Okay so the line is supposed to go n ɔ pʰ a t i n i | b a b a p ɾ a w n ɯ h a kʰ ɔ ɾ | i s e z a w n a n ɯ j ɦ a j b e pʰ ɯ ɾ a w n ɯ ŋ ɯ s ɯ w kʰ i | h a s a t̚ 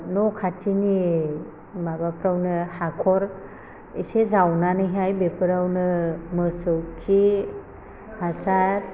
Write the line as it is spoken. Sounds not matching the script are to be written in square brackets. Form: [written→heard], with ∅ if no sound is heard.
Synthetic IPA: n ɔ [pʰ→kʰ] a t i n i | [b→m] a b a p ɾ a w n ɯ h a kʰ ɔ ɾ | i s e z a w n a n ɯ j ɦ a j b e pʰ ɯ ɾ a w n ɯ [ŋ→m] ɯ s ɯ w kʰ i | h a s a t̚